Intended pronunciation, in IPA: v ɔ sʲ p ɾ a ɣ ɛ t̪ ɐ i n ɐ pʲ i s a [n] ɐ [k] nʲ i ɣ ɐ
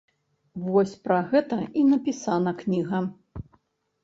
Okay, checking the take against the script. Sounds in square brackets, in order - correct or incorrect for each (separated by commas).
correct, correct